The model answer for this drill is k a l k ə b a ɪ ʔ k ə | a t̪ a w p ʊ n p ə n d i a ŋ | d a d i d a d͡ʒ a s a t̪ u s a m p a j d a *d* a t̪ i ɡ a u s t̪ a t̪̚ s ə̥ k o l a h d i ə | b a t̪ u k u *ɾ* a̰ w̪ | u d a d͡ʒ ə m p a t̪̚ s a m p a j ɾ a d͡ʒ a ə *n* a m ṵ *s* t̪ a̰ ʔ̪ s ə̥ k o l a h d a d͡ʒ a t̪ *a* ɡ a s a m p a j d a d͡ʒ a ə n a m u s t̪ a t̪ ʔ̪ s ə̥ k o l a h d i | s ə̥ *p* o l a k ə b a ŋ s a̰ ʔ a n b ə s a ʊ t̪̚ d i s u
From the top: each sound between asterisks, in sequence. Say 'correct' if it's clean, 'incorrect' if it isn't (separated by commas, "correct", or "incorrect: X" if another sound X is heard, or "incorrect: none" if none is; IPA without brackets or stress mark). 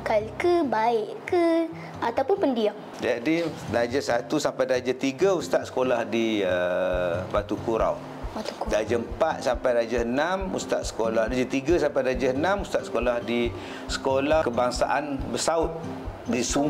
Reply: incorrect: d͡ʒ, correct, correct, correct, incorrect: i, incorrect: k